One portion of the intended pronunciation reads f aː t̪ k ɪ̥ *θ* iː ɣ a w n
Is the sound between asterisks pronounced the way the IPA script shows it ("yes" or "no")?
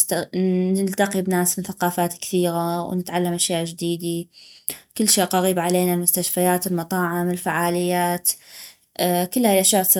yes